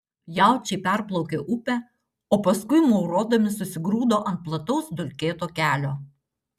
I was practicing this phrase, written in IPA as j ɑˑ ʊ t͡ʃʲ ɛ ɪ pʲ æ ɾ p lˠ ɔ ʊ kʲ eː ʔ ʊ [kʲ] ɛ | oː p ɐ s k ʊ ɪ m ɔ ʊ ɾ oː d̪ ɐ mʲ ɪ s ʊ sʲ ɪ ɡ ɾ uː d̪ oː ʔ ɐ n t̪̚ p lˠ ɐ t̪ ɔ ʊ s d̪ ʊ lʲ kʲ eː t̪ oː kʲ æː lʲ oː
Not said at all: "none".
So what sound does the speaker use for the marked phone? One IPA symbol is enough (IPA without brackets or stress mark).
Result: pʲ